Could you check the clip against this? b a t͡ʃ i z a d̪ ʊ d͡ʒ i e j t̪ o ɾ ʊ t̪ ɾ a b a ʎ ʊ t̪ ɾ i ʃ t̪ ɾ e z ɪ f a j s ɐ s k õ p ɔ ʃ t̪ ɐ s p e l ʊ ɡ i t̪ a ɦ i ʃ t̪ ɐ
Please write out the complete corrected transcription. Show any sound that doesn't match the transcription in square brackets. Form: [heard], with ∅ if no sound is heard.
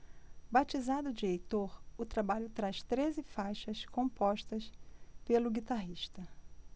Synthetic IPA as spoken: b a t͡ʃ i z a d̪ ʊ d͡ʒ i e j t̪ o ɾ ʊ t̪ ɾ a b a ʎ ʊ t̪ ɾ [a] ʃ t̪ ɾ e z ɪ f a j [ʃ] ɐ s k õ p ɔ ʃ t̪ ɐ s p e l ʊ ɡ i t̪ a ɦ i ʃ t̪ ɐ